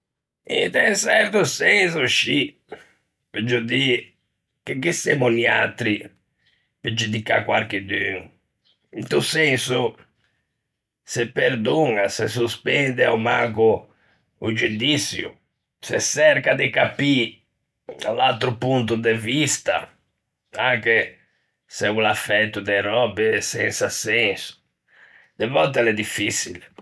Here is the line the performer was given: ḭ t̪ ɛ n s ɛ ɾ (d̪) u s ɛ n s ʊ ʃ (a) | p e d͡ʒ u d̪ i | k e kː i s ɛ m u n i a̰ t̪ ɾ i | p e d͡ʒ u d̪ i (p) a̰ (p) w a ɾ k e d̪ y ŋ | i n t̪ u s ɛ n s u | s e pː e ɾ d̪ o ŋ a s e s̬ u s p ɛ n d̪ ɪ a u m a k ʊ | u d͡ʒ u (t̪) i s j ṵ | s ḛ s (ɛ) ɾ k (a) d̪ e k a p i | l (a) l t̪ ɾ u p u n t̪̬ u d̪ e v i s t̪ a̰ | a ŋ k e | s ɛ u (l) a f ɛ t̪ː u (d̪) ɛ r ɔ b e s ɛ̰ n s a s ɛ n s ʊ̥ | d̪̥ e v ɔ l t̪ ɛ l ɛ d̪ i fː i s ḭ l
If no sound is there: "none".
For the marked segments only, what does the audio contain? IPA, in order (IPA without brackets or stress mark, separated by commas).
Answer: t̪, i, k, k, d̪, ɛ, a, a, l, d̪